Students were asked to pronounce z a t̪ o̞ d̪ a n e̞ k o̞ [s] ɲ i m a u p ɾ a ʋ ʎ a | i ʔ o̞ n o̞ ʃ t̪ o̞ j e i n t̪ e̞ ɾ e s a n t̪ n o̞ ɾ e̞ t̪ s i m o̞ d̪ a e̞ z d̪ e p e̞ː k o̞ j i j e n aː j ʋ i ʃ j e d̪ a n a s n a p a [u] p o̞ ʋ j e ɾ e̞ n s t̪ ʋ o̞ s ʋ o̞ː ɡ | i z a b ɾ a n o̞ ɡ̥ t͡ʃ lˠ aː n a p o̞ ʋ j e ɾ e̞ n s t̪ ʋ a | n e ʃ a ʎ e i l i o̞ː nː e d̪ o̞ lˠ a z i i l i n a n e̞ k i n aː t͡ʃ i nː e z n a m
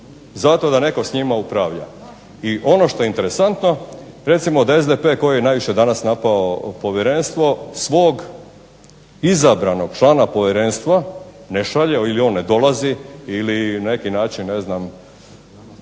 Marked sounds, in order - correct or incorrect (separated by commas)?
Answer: correct, incorrect